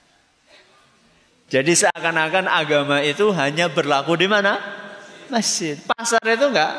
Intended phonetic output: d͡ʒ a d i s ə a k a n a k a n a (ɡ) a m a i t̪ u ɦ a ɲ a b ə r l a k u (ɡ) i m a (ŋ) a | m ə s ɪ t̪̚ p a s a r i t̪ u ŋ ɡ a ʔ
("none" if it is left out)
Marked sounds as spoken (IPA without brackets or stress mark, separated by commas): ɡ, d, n